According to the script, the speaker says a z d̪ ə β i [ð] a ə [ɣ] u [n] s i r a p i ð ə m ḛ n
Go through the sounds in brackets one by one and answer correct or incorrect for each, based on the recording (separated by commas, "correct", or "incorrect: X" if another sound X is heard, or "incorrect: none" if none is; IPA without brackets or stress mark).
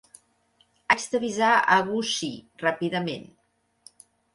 incorrect: z, correct, incorrect: none